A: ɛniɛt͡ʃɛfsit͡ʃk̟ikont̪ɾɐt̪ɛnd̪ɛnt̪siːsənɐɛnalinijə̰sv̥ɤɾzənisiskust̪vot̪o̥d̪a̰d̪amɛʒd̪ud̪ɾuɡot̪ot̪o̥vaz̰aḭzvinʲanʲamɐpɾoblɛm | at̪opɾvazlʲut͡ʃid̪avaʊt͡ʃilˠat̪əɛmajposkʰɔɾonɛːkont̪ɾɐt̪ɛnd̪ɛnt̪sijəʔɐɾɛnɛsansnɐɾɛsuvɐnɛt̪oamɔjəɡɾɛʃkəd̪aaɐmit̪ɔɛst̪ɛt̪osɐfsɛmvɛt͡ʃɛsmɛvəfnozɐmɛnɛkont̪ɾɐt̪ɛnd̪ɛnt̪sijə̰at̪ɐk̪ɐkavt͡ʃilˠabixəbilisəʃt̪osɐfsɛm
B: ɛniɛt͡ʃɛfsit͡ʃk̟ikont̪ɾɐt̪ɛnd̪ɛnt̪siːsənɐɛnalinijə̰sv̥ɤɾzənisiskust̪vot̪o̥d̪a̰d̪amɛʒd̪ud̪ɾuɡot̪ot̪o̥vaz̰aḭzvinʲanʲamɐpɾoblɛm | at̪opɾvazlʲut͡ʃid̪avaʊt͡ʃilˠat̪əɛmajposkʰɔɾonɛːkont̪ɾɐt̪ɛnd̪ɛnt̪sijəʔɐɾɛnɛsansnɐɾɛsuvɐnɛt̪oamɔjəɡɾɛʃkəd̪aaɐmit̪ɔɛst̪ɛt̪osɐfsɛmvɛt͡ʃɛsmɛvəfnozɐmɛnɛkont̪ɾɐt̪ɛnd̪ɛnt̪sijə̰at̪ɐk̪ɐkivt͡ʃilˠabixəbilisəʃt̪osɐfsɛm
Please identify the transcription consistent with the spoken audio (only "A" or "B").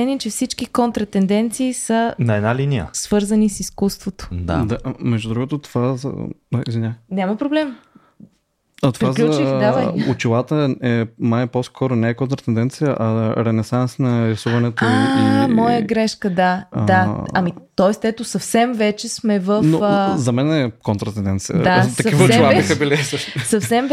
B